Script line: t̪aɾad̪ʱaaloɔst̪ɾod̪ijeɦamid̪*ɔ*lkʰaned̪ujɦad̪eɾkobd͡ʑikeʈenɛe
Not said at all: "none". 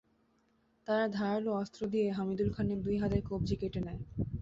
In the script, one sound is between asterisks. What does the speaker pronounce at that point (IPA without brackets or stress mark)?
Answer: u